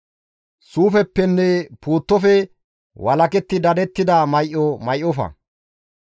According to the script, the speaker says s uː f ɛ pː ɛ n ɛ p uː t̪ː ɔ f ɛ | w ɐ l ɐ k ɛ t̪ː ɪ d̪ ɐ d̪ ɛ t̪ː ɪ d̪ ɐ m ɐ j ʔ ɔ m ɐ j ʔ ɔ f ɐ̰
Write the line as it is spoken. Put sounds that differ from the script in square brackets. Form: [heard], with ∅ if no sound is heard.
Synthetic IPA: s uː f ɛ pː ɛ [nː] ɛ p uː t̪ː ɔ f ɛ | w ɐ l ɐ k ɛ t̪ː ɪ d̪ ɐ d̪ ɛ t̪ː ɪ d̪ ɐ m ɐ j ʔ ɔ m ɐ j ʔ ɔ f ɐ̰

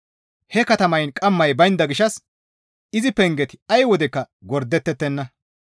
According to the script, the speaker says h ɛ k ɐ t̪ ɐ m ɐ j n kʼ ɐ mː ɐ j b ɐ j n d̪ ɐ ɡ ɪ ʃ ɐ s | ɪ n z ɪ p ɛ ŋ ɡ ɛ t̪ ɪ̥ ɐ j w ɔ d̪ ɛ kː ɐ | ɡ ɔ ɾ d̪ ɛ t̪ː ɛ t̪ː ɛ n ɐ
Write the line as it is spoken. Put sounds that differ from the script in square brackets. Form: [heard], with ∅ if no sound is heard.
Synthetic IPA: h ɛ k ɐ t̪ ɐ m ɐ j n kʼ ɐ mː ɐ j b ɐ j n d̪ ɐ ɡ ɪ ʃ ɐ s | ɪ [∅] z ɪ p ɛ ŋ ɡ ɛ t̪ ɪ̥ ɐ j w ɔ d̪ ɛ kː ɐ | ɡ ɔ ɾ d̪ ɛ t̪ː ɛ t̪ː ɛ [nː] ɐ

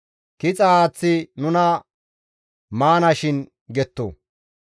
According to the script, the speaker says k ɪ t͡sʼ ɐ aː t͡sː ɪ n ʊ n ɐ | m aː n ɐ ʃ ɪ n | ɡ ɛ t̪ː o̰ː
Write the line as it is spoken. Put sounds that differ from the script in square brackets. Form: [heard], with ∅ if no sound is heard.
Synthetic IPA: k ɪ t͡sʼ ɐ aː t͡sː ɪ n ʊ n ɐ | m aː n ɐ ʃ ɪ n | ɡ ɛ t̪ː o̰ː

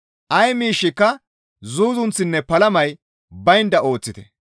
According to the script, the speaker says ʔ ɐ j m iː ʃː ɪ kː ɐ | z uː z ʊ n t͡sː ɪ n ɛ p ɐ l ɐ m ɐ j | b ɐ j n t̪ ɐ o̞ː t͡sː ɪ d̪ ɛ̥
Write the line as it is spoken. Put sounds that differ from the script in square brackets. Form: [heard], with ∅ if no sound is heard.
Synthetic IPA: ʔ ɐ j m iː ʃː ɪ kː ɐ | z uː z ʊ n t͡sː ɪ [nː] ɛ p ɐ l ɐ m ɐ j | b ɐ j n [d̪] ɐ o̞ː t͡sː ɪ [t̪] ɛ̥

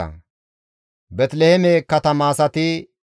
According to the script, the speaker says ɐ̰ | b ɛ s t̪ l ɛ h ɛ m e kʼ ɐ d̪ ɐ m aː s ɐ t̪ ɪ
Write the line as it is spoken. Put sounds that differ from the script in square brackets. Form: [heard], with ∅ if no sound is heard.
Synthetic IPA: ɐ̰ | b ɛ [∅] t̪ l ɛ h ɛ m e [k] ɐ [t̪] ɐ m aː s ɐ t̪ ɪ

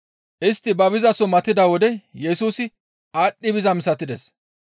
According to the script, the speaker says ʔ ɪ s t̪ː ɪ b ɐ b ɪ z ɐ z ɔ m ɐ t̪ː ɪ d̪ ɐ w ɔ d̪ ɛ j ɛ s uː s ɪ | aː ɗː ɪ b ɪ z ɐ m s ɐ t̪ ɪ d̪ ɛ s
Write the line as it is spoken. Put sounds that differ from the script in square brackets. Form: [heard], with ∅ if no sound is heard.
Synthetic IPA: ʔ ɪ s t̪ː ɪ b ɐ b ɪ z ɐ [s] ɔ m ɐ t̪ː ɪ d̪ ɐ w ɔ d̪ ɛ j ɛ s uː s ɪ | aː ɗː ɪ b ɪ z ɐ m s ɐ t̪ ɪ d̪ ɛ s

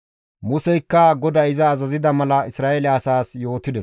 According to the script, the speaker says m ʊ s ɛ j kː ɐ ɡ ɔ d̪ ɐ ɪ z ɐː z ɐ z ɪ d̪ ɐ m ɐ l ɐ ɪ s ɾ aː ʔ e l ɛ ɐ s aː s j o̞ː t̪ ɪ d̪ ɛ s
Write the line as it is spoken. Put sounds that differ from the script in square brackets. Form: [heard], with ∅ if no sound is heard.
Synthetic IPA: m ʊ s ɛ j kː ɐ ɡ ɔ d̪ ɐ ɪ z ɐː z ɐ z ɪ d̪ ɐ m ɐ l ɐ ɪ s ɾ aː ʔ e l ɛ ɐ s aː s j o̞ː t̪ ɪ d̪ ɛ s

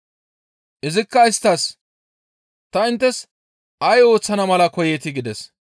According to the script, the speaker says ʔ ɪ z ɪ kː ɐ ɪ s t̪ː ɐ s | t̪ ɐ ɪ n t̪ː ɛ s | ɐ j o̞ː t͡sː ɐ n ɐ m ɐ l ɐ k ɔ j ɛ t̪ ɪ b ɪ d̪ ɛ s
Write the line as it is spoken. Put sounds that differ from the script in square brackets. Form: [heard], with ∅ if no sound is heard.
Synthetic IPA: ʔ ɪ z ɪ kː ɐ ɪ s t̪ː ɐ s | t̪ ɐ ɪ n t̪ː ɛ s | ɐ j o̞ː t͡sː ɐ n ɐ m ɐ l ɐ k ɔ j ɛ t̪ ɪ [ɡ] ɪ d̪ ɛ s

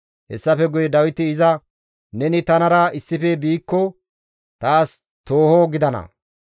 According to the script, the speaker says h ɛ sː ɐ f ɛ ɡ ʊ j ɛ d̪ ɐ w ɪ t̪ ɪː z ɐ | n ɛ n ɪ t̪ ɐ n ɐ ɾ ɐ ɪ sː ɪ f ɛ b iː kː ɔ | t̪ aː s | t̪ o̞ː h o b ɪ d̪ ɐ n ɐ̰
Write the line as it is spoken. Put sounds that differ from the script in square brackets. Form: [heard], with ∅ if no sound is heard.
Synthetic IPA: h ɛ sː ɐ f ɛ ɡ ʊ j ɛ d̪ ɐ w ɪ t̪ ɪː z ɐ | n ɛ n ɪ t̪ ɐ n ɐ ɾ ɐ ɪ sː ɪ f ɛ b iː kː ɔ | t̪ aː s | t̪ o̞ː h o [ɡ] ɪ d̪ ɐ n ɐ̰

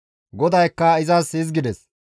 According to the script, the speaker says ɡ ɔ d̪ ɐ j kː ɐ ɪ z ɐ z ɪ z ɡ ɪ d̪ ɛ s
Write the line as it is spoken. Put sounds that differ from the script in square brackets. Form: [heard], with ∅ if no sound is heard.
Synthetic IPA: ɡ ɔ d̪ ɐ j kː ɐ ɪ z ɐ [s] ɪ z ɡ ɪ d̪ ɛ s

